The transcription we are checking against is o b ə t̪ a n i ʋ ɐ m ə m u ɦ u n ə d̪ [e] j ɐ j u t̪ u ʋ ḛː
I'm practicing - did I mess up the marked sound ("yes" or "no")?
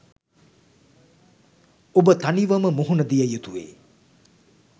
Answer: yes